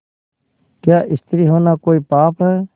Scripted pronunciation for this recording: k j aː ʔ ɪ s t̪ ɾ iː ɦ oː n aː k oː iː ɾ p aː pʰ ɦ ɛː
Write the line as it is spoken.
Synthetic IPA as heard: k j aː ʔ ɪ s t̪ ɾ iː ɦ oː n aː k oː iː p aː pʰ ɦ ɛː